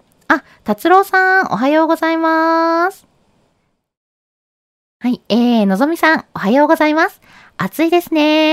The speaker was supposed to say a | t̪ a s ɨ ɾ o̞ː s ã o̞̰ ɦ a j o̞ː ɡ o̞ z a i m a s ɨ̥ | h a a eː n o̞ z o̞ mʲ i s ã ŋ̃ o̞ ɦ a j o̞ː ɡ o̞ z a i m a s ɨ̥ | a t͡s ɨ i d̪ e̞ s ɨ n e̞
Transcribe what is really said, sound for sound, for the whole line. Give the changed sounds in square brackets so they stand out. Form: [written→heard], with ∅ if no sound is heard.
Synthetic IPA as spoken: a | t̪ a [s→t͡s] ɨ ɾ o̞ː s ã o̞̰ ɦ a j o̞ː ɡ o̞ z a i m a s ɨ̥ | h a [a→i] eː n o̞ z o̞ mʲ i s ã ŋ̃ o̞ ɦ a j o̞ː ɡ o̞ z a i m a s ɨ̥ | a t͡s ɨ i d̪ e̞ s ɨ n e̞